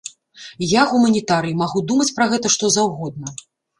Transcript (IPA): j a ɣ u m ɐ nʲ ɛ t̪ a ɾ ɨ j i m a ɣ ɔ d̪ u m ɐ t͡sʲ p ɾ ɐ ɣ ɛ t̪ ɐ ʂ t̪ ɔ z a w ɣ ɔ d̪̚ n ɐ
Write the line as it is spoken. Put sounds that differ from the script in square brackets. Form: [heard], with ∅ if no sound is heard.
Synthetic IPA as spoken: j a ɣ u m ɐ nʲ [i] t̪ a ɾ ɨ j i m a ɣ [u] d̪ u m ɐ t͡sʲ p ɾ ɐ ɣ ɛ t̪ ɐ ʂ t̪ ɔ z a w ɣ ɔ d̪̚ n ɐ

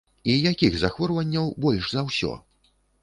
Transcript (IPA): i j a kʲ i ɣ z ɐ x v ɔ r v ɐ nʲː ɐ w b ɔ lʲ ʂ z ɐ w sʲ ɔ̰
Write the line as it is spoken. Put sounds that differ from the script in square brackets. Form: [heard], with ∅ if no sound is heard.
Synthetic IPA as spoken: i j a kʲ i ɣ z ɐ x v ɔ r v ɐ nʲː ɐ w b ɔ lʲ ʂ z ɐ w sʲ ɔ̰

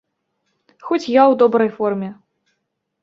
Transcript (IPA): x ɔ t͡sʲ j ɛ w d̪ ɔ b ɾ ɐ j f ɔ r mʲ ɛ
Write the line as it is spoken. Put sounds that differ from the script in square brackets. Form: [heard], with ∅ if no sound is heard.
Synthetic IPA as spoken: x ɔ t͡sʲ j [a] w d̪ ɔ b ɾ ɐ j f ɔ r mʲ ɛ

